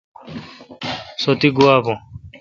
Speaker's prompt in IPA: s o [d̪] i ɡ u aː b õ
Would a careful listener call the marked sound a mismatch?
yes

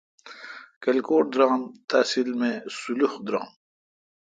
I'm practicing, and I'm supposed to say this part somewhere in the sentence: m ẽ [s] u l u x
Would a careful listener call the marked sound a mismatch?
no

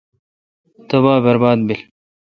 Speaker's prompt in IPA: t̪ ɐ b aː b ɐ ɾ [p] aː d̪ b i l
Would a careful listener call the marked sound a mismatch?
yes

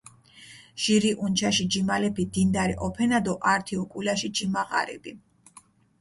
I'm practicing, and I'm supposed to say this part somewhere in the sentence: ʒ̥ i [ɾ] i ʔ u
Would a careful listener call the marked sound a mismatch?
no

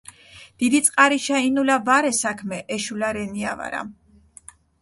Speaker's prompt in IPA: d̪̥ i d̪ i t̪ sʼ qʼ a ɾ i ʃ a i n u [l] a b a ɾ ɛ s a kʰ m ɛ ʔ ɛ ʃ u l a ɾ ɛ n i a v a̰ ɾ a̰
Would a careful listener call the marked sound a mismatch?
no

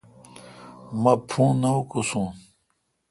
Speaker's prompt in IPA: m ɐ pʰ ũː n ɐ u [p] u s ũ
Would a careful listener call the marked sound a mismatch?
yes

